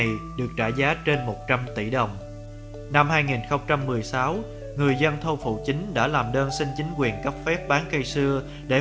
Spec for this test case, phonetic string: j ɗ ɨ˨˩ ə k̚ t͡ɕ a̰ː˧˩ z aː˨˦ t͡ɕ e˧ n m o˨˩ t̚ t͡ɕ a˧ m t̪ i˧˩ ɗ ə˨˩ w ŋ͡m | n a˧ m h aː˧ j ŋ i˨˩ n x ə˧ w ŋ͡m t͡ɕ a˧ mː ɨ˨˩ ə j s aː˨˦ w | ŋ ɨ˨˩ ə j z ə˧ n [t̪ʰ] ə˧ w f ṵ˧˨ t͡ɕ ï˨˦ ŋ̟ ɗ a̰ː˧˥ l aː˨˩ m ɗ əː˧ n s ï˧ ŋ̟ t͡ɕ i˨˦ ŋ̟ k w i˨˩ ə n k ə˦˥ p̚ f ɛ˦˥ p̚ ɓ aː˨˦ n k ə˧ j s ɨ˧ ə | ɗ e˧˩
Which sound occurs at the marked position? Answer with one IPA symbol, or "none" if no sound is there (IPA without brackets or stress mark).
t̪ʰ